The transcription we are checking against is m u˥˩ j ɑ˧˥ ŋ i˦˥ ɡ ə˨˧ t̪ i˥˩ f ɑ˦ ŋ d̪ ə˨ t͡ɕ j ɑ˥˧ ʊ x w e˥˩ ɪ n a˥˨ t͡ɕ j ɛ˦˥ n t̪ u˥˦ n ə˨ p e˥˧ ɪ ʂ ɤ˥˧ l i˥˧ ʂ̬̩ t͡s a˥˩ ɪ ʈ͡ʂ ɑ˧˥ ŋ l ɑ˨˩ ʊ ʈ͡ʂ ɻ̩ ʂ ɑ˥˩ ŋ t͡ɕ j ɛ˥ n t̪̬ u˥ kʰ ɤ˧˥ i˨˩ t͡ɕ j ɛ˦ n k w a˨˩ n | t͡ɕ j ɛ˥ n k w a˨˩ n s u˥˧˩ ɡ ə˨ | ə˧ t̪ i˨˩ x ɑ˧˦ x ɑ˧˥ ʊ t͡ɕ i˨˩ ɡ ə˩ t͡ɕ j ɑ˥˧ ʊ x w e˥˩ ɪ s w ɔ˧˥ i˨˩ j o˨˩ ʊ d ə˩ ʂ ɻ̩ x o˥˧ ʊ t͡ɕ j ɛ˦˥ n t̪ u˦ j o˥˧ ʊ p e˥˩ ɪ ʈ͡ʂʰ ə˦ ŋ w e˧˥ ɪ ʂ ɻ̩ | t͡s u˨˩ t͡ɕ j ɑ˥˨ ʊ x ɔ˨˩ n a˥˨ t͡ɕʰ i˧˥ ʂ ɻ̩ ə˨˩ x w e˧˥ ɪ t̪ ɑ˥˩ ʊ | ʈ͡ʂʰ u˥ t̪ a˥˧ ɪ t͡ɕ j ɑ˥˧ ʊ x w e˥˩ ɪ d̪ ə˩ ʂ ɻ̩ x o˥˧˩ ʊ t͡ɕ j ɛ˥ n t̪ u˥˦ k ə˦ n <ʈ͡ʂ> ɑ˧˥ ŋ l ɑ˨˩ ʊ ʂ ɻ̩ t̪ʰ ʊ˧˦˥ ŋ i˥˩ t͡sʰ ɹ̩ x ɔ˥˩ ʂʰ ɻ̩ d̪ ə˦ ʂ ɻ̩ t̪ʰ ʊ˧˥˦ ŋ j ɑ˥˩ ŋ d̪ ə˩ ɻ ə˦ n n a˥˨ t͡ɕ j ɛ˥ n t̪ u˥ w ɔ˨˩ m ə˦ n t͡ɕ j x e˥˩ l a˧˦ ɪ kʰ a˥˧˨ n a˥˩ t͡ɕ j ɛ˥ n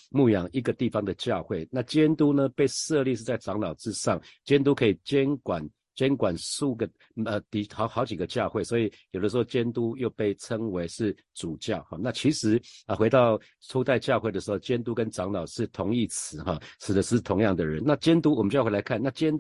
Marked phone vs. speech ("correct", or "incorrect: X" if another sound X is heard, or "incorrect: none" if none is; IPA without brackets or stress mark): correct